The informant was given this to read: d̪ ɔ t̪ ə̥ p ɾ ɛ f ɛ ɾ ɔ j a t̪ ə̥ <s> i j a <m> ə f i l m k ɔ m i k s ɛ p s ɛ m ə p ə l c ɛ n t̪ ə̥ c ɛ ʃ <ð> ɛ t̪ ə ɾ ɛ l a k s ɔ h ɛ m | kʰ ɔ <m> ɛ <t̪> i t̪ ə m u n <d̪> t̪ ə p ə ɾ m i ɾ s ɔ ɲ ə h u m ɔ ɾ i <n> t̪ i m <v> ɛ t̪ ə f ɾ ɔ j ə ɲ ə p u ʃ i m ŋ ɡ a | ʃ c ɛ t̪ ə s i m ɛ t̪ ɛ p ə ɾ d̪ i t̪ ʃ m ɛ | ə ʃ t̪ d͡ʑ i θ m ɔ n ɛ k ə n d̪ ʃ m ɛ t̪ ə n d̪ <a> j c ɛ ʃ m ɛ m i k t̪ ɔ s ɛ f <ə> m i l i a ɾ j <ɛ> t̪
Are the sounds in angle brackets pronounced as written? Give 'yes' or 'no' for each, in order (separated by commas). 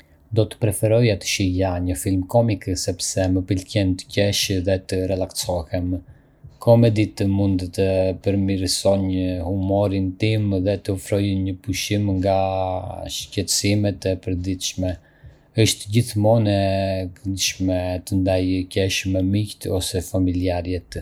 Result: no, no, yes, yes, no, yes, yes, no, yes, no, yes